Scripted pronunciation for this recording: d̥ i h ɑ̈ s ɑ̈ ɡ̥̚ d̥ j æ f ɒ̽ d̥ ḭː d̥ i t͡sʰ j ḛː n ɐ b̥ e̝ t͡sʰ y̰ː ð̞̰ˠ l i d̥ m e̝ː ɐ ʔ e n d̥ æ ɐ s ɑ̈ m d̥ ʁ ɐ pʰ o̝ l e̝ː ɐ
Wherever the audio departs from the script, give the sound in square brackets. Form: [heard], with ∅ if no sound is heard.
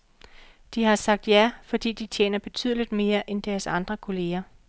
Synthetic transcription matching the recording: d̥ i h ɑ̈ s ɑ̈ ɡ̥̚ d̥ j æ f ɒ̽ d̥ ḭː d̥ i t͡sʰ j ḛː n ɐ b̥ e̝ t͡sʰ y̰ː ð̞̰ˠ l i d̥ m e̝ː ɐ ʔ e n d̥ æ ɐ s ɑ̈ [n] d̥ ʁ ɐ [kʰ] o̝ l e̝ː ɐ